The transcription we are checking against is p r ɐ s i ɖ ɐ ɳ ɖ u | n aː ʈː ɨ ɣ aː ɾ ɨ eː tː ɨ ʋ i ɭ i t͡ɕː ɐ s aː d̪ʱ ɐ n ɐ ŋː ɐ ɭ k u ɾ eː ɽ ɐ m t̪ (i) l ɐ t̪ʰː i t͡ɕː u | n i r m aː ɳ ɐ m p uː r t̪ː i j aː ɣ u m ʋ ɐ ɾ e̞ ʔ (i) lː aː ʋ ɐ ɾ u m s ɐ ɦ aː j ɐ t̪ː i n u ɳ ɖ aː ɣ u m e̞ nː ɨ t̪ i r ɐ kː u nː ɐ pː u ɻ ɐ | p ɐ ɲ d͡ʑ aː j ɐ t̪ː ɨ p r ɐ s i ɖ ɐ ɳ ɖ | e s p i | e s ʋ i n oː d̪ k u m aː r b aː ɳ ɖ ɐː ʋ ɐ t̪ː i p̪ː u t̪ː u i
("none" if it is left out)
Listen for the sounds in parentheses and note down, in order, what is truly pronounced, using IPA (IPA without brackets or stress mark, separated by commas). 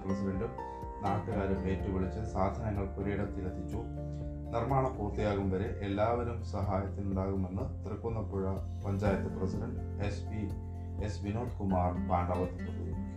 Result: i, e